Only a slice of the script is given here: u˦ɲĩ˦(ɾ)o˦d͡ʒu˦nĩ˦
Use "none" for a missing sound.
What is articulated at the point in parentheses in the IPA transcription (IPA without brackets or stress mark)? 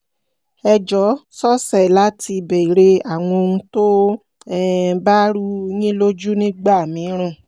l